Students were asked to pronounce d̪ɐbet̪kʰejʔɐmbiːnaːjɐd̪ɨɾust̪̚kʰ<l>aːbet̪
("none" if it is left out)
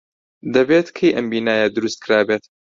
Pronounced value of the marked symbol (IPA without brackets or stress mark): ɾ